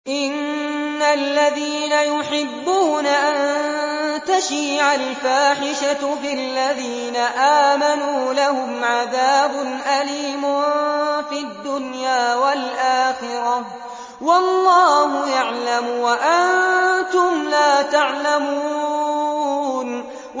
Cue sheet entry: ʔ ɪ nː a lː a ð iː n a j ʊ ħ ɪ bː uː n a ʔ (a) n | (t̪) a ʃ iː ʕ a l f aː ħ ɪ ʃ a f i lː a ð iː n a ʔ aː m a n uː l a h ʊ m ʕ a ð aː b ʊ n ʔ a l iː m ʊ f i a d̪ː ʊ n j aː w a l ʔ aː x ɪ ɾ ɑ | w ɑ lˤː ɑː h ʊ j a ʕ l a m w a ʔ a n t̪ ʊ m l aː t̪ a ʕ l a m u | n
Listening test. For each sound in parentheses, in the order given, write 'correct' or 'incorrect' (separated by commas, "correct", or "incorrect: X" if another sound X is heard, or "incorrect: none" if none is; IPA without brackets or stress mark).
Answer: correct, correct